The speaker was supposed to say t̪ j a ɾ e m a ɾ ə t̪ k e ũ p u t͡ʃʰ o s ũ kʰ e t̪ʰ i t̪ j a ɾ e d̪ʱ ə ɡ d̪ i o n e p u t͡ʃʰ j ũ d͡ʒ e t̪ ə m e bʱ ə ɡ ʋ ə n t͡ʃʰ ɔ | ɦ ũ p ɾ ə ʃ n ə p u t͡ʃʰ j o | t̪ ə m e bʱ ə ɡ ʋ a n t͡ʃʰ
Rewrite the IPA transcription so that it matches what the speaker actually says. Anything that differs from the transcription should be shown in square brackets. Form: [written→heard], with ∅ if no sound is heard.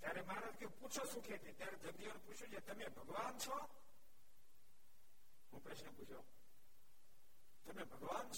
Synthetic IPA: t̪ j a ɾ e m a ɾ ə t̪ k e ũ p u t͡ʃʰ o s ũ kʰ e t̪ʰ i t̪ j a ɾ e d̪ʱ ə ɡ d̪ i o n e p u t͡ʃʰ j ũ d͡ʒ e t̪ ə m e bʱ ə ɡ ʋ [ə→a] n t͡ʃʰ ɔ | ɦ ũ p ɾ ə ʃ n ə p u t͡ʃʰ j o | t̪ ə m e bʱ ə ɡ ʋ a n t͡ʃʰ